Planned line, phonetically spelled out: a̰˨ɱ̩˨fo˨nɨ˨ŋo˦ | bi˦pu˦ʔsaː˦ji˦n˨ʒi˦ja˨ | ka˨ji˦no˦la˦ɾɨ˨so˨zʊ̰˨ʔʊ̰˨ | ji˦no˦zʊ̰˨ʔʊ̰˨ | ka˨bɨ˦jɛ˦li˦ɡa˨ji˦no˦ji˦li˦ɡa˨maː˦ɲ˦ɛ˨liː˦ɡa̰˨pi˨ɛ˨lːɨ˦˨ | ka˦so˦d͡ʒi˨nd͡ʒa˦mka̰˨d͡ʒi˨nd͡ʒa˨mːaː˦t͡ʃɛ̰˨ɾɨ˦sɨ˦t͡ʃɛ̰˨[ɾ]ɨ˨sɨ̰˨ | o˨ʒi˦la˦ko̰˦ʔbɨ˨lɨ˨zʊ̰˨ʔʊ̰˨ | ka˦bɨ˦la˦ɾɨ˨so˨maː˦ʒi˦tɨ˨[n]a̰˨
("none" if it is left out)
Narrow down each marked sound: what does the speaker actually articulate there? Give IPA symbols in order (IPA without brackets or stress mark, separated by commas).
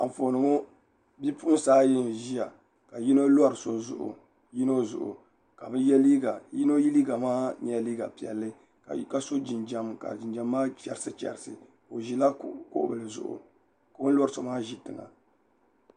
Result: ɾ, ŋ